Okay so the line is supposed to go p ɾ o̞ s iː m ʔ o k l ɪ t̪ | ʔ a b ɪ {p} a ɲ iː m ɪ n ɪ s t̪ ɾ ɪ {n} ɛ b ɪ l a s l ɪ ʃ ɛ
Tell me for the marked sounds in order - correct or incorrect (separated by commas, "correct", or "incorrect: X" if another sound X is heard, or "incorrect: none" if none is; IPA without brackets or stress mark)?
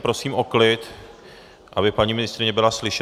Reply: correct, incorrect: ɲ